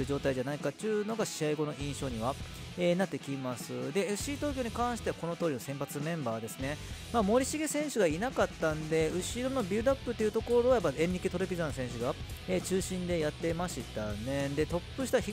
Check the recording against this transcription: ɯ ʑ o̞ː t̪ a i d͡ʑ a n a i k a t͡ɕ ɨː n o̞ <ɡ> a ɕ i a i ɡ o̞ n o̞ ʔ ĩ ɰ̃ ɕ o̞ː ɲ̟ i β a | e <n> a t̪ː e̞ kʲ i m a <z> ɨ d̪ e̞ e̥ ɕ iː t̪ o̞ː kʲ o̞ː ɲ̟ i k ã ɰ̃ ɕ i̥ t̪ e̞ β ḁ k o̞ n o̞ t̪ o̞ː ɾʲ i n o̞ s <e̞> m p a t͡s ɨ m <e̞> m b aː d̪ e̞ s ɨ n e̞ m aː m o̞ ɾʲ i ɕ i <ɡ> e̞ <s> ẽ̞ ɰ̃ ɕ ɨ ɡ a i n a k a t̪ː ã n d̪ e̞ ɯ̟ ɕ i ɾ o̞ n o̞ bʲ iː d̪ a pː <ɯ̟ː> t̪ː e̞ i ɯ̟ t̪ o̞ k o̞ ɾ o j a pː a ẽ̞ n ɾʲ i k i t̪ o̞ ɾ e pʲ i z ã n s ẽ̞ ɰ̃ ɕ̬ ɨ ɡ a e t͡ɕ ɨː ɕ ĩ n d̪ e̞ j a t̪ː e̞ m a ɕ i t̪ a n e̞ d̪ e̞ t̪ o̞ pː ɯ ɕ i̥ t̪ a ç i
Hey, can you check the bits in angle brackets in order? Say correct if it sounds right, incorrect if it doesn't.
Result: correct, correct, incorrect, incorrect, incorrect, correct, correct, incorrect

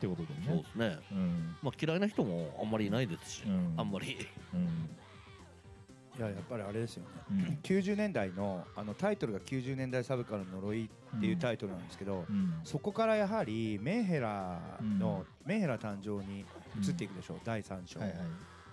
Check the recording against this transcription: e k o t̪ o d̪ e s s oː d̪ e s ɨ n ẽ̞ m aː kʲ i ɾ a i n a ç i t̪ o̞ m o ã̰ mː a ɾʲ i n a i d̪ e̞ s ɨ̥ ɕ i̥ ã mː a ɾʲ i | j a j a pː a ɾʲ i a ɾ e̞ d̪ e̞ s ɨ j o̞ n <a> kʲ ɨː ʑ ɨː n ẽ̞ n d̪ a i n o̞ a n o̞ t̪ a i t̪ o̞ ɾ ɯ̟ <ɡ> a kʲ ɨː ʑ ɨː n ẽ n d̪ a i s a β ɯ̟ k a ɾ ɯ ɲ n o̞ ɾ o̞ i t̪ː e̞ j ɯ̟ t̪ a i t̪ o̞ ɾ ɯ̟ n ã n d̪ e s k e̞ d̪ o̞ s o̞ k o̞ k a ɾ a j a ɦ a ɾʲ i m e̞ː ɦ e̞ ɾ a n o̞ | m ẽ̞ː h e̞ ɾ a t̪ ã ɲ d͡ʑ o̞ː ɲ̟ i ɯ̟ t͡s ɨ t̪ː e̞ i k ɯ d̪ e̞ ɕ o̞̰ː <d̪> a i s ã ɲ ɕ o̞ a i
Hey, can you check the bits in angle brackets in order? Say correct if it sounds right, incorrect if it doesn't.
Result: incorrect, correct, correct

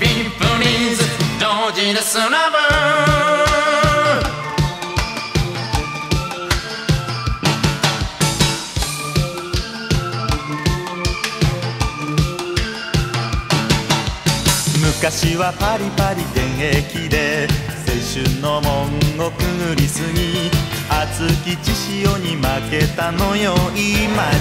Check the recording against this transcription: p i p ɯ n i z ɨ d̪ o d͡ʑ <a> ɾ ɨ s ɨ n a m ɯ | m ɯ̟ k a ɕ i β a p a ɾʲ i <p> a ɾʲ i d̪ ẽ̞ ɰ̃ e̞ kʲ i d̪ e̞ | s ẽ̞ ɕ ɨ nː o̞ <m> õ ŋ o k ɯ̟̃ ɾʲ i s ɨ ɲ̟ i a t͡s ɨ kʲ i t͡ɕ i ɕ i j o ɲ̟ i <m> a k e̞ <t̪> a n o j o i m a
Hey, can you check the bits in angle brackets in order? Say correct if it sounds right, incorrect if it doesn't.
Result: incorrect, correct, correct, correct, correct

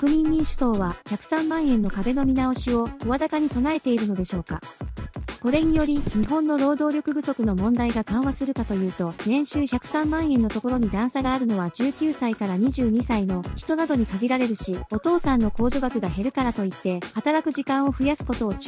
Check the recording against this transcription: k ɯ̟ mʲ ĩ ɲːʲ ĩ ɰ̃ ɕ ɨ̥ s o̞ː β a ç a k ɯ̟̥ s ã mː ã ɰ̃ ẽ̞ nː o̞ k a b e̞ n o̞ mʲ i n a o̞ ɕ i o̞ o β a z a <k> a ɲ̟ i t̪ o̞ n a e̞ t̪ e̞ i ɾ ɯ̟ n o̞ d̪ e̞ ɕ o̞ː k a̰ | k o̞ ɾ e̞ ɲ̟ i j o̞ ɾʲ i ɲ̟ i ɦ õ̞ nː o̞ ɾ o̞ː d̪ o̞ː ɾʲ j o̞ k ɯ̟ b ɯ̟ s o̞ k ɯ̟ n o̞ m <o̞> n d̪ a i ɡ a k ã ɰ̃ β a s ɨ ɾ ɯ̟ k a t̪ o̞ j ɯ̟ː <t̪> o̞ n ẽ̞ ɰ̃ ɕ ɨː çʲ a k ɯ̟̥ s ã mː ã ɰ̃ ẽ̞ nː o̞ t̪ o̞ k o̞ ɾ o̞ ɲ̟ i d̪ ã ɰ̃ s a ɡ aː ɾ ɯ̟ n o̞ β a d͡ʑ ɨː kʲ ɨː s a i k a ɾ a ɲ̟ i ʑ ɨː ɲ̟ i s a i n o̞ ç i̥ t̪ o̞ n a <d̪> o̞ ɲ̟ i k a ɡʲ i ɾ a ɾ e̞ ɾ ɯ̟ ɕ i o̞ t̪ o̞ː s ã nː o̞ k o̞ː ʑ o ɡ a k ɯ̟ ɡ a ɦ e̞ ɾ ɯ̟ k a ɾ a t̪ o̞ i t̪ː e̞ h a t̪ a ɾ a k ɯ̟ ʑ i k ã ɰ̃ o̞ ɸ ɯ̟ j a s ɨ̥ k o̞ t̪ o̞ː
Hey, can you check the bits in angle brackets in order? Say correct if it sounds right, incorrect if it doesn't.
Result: correct, incorrect, correct, correct

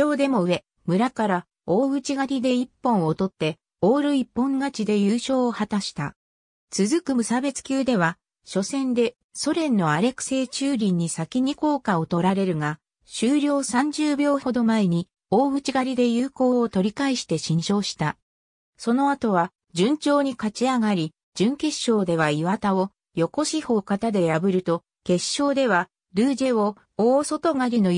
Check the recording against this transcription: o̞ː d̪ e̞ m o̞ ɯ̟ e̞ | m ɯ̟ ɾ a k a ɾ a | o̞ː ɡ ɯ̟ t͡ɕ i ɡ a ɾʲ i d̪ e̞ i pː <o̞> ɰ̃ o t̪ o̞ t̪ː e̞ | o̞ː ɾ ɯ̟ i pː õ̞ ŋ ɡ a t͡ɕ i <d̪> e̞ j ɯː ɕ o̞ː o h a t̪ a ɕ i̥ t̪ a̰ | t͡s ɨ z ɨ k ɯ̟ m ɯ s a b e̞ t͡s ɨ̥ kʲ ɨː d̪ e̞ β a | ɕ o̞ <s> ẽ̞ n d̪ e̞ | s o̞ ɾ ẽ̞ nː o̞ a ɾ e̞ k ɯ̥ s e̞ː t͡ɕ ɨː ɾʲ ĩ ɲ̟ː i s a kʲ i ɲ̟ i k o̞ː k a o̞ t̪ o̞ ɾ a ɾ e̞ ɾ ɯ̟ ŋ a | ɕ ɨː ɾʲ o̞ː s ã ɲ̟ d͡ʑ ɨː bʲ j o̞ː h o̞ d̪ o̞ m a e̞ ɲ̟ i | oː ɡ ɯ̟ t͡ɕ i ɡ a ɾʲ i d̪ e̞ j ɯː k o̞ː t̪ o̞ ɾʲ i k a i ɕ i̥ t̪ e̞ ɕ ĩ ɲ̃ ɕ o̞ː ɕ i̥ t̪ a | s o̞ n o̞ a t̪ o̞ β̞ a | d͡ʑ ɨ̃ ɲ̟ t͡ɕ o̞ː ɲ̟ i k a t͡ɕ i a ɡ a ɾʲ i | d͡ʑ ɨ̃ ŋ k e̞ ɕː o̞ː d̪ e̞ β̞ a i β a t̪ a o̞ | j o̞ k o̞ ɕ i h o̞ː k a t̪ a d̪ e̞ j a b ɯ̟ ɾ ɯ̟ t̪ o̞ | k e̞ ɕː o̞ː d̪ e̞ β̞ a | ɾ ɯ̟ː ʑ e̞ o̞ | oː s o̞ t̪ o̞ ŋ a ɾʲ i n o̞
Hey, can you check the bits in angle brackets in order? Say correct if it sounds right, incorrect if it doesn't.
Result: incorrect, correct, correct

